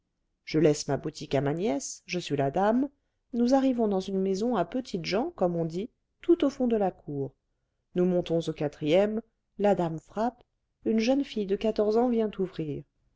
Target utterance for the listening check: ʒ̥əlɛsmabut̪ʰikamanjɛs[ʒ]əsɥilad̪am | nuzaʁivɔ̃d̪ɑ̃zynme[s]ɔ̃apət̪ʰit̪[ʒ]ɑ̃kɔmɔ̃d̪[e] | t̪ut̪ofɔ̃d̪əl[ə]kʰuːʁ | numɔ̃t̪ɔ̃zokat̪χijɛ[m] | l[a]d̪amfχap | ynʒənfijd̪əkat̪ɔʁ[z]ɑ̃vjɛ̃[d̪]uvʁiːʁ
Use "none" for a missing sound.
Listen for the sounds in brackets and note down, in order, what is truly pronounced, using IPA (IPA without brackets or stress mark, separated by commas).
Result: ʒ, z, ʒ, i, a, m, a, z, t̪